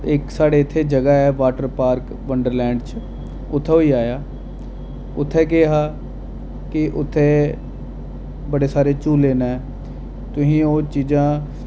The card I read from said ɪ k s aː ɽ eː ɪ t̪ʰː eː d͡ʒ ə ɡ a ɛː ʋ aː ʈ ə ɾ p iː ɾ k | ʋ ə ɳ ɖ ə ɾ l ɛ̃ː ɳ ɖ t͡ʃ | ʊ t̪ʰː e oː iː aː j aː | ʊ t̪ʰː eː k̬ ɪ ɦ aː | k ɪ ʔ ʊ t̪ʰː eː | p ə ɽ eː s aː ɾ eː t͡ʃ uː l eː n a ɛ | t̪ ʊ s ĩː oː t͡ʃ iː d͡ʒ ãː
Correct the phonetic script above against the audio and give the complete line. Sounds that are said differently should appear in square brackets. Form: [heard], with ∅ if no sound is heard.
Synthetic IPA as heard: ɪ k s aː ɽ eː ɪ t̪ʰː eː d͡ʒ ə ɡ a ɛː ʋ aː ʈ ə ɾ p [aː] ɾ k | ʋ ə ɳ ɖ ə ɾ l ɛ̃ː ɳ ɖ t͡ʃ | ʊ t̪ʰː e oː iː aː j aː | ʊ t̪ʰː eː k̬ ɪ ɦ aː | k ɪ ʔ ʊ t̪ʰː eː | [b] ə ɽ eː s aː ɾ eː t͡ʃ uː l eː n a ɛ | t̪ ʊ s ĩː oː t͡ʃ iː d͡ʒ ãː